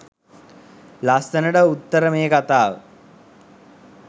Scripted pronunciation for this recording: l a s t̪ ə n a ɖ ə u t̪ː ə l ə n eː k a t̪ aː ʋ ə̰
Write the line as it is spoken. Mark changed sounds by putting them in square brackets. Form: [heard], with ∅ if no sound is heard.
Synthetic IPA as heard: l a s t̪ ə n [ə] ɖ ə u t̪ː ə [ɾ] ə [m] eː k a t̪ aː ʋ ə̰